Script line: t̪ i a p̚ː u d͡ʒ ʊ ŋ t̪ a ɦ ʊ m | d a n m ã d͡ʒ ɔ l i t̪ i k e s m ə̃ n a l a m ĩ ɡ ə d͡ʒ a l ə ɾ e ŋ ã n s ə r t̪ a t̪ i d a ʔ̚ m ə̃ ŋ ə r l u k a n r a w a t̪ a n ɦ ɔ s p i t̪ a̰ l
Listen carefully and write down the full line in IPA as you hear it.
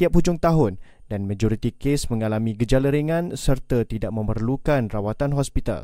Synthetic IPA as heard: t̪ i a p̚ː u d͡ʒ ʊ ŋ t̪ a ɦ ʊ n | d a n m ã d͡ʒ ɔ ɾ i t̪ i k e s m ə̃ ŋ a l a m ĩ ɡ ə d͡ʒ a l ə ɾ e ŋ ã n s ə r t̪ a t̪ i d a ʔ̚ m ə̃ m ə r l u k a n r a w a t̪ a n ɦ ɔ s p i t̪ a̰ l